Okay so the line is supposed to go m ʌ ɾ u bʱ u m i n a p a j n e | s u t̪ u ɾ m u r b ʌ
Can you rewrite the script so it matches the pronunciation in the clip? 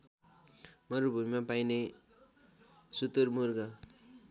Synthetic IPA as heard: m ʌ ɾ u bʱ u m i m a p a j n e | s u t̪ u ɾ m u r ɡ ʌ